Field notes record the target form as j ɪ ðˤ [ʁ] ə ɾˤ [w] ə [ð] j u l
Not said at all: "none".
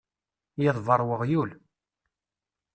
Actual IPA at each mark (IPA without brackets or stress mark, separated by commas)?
v, w, ʁ